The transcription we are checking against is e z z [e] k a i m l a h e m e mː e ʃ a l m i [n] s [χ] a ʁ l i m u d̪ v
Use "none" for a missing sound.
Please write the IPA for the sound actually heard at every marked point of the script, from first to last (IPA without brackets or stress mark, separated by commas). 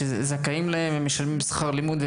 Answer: a, m, χ